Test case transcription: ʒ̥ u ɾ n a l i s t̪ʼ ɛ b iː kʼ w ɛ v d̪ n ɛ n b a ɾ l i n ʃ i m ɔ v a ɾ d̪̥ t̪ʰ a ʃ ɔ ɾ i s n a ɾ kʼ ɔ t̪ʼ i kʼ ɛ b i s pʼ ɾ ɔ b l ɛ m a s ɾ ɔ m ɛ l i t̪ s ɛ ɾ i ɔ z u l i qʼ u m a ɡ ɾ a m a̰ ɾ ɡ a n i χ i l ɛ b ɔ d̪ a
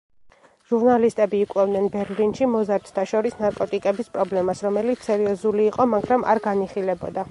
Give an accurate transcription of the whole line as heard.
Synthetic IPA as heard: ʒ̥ u ɾ n a l i s t̪ʼ ɛ b iː kʼ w ɛ v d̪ n ɛ n b ɛ ɾ l i n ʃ i m ɔ z a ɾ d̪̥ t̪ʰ a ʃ ɔ ɾ i s n a ɾ kʼ ɔ t̪ʼ i kʼ ɛ b i s pʼ ɾ ɔ b l ɛ m a s ɾ ɔ m ɛ l i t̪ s ɛ ɾ i ɔ z u l iː qʼ ɔ m a ɡ ɾ a m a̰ ɾ ɡ a n i χ i l ɛ b ɔ d̪ a